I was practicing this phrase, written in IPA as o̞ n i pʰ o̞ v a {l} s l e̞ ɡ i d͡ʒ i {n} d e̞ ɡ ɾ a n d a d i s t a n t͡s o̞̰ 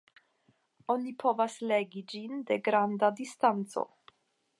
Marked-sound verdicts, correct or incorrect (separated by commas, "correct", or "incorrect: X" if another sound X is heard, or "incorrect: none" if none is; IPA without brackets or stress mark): incorrect: none, correct